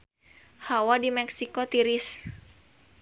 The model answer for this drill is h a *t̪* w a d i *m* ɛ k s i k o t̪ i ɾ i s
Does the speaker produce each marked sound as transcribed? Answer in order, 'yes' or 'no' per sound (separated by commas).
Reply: no, yes